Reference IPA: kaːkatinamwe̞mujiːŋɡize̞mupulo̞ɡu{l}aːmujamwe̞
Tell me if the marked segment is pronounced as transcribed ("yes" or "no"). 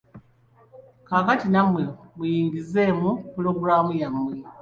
no